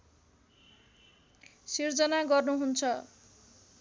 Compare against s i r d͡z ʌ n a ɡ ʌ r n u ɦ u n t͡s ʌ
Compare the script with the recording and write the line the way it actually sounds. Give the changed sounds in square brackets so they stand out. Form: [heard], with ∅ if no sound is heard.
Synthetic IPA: s i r d͡z ʌ n a ɡ ʌ r n u ɦ u n [t͡sʰ] ʌ